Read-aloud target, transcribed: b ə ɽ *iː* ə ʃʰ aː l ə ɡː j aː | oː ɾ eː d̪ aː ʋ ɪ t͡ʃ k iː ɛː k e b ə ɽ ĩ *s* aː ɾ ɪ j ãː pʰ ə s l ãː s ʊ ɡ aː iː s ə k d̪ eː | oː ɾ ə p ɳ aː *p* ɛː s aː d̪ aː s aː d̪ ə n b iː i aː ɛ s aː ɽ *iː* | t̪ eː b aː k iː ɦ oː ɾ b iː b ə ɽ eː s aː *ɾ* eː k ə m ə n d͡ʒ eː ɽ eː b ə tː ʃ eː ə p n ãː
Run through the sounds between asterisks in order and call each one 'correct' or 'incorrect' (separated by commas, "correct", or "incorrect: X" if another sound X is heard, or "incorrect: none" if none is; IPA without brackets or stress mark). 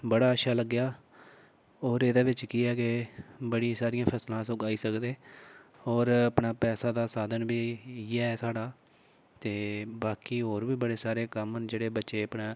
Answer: incorrect: aː, correct, correct, incorrect: aː, correct